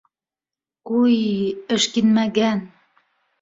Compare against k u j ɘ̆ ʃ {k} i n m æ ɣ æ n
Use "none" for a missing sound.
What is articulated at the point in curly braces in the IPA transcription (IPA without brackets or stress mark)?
k